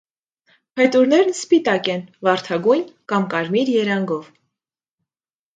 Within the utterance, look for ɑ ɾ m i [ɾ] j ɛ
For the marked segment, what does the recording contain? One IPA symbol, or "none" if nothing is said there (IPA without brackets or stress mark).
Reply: ɾ